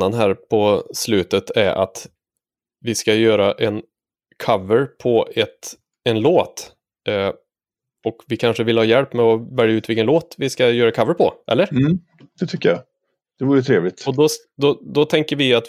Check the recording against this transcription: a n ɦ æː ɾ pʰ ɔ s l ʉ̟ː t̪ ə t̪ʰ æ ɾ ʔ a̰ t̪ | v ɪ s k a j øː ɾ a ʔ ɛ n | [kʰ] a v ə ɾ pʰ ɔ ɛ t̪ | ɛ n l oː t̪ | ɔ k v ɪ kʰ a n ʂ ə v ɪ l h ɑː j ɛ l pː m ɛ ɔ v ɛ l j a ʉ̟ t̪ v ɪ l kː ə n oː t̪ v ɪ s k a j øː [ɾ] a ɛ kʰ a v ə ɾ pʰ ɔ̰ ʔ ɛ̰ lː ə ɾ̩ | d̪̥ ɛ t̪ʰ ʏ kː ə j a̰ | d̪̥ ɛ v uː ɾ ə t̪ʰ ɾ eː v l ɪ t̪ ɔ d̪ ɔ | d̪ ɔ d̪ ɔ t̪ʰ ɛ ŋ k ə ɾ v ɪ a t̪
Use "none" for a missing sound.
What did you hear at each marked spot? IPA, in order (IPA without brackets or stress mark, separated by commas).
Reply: kʰ, ɾ